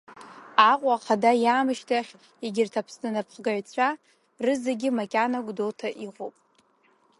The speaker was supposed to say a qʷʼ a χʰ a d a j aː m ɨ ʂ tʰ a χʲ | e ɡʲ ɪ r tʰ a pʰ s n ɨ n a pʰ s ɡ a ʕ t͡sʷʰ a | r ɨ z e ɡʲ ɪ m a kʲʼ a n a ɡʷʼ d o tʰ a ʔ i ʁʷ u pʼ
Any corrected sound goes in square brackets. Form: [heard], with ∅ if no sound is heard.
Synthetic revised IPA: a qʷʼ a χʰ a d a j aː m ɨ [ʃ] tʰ a χʲ | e ɡʲ ɪ r tʰ a pʰ s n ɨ n a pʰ [χ] ɡ a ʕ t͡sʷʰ a | r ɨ z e ɡʲ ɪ m a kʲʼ a n a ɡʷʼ d o tʰ a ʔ i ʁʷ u pʼ